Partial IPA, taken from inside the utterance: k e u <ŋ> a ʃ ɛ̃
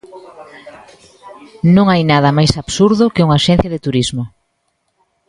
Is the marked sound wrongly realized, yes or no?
no